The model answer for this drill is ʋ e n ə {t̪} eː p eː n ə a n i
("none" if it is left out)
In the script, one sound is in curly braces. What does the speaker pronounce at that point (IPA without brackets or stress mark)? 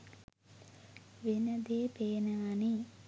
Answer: d̪